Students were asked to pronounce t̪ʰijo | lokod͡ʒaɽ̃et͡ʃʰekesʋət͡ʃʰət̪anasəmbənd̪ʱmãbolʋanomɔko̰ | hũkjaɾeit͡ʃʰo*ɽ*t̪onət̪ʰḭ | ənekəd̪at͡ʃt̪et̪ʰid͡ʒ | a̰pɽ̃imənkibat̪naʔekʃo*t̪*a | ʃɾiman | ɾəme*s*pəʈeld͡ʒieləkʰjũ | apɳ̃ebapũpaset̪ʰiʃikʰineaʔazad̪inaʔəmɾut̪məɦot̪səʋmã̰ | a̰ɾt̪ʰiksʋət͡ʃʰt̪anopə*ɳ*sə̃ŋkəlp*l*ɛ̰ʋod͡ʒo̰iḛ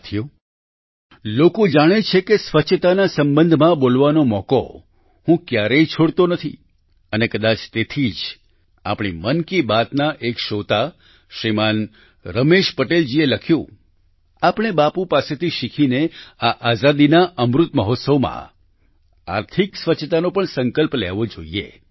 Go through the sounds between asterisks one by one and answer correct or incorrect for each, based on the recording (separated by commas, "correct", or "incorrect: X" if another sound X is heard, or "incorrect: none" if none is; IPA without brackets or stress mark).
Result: correct, correct, incorrect: ʃ, correct, correct